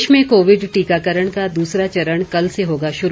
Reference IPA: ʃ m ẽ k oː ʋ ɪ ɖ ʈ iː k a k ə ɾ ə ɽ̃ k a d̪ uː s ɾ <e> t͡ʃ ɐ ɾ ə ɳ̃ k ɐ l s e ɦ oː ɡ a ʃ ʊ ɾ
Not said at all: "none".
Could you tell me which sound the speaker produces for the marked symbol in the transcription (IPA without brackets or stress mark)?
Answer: a